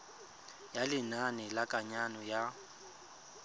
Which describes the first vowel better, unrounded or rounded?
unrounded